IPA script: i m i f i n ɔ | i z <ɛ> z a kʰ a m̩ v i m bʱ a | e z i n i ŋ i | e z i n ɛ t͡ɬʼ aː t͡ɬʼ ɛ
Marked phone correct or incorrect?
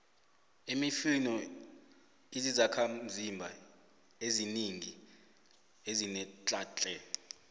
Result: incorrect: i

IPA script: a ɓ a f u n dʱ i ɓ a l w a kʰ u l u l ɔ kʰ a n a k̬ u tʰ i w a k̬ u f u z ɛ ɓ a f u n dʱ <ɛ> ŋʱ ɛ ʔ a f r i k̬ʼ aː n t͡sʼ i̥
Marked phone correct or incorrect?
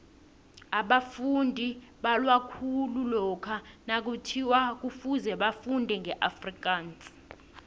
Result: correct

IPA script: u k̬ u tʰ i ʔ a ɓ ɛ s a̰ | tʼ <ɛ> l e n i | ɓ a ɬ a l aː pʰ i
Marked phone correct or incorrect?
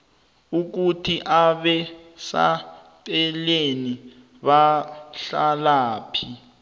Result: correct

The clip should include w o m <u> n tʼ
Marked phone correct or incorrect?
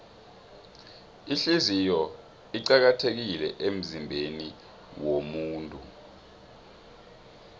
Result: incorrect: uː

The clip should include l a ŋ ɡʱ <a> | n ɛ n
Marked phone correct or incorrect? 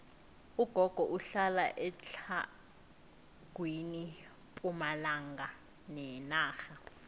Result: correct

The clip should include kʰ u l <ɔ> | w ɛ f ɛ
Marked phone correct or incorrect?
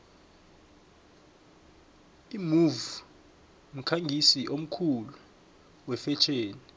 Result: incorrect: u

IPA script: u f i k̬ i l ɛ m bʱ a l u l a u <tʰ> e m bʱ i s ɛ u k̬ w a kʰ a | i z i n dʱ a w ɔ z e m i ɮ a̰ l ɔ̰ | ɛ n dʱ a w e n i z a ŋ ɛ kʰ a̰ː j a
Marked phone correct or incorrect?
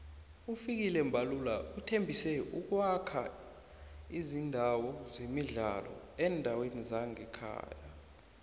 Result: correct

